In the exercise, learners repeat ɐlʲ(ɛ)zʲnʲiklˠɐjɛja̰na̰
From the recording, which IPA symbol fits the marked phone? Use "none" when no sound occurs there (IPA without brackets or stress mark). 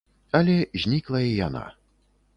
ɛ